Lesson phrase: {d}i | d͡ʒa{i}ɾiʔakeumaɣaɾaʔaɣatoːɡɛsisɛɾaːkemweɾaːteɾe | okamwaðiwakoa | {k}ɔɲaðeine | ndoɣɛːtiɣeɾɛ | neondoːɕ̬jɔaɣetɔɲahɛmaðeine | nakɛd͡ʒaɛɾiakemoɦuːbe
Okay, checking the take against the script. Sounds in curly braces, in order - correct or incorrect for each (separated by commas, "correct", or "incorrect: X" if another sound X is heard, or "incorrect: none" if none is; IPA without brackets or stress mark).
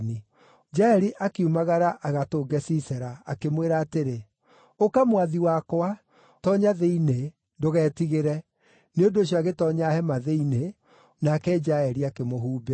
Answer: incorrect: n, incorrect: ɛ, incorrect: t